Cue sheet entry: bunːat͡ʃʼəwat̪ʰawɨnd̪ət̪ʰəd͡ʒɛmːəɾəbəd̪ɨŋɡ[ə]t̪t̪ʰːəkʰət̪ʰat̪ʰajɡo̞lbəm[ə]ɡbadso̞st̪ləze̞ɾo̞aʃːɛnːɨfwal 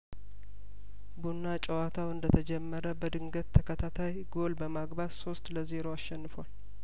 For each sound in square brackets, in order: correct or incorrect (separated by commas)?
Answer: correct, incorrect